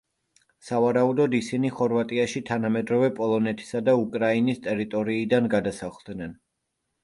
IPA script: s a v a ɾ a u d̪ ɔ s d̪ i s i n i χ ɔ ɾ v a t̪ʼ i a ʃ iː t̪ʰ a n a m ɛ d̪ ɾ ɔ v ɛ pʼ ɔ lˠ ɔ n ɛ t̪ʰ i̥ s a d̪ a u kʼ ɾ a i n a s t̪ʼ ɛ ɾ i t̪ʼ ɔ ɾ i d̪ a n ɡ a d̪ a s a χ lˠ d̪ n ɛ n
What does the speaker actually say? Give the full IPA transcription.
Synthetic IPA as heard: s a v a ɾ a u d̪ ɔ d̪ i s i n i χ ɔ ɾ v a t̪ʼ i a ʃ i t̪ʰ a n a m ɛ d̪ ɾ ɔ v ɛ pʼ ɔ lˠ ɔ n ɛ t̪ʰ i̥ s a d̪ a u kʼ ɾ a i n i s t̪ʼ ɛ ɾ i t̪ʼ ɔ ɾ iː d̪ a n ɡ a d̪ a s a χ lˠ d̪ n ɛ n

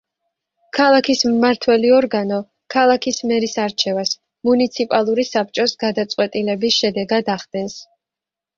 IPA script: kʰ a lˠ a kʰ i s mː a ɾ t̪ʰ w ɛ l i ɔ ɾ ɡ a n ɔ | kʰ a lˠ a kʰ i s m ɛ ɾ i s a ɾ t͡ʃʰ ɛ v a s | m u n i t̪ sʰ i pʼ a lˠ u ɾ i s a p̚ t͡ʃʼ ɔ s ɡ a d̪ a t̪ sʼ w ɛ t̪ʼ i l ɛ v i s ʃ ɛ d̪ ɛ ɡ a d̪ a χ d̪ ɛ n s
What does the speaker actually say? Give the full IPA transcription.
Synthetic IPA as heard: kʰ a lˠ a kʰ i s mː a ɾ t̪ʰ w ɛ l i ɔ ɾ ɡ a n ɔ | kʰ a lˠ a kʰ i s m ɛ ɾ i s a ɾ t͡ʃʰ ɛ v a s | m u n i t̪ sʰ i pʼ a lˠ u ɾ i s a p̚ t͡ʃʼ ɔ s ɡ a d̪ a t̪ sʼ w ɛ t̪ʼ i l ɛ b i s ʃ ɛ d̪ ɛ ɡ a d̪ a χ d̪ ɛ n s

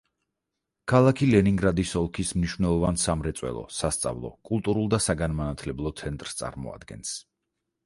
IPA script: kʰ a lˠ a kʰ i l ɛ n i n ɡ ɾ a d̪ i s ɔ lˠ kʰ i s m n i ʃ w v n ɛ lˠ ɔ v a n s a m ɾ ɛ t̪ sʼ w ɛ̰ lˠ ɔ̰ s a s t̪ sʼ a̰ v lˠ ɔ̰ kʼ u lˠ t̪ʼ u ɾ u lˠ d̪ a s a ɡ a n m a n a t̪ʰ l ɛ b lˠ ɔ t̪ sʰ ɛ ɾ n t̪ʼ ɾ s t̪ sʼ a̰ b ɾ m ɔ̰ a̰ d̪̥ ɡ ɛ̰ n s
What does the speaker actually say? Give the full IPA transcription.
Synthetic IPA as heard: kʰ a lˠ a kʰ i l ɛ n i ŋ ɡ ɾ a d̪ i s ɔ lˠ kʰ i s m n i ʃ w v n ɛ lˠ ɔ v a n s a m ɾ ɛ t̪ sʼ w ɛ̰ lˠ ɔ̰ s a s t̪ sʼ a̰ v lˠ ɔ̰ kʼ u lˠ t̪ʼ u ɾ u lˠ d̪ a s a ɡ a n m a n a t̪ʰ l ɛ b lˠ ɔ t̪ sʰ ɛ n t̪ʼ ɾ s t̪ sʼ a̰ ɾ m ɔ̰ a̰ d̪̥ ɡ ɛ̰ n s

